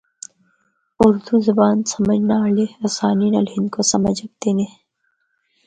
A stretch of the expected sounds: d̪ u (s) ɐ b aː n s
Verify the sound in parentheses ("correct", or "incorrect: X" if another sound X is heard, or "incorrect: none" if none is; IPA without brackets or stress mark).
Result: incorrect: z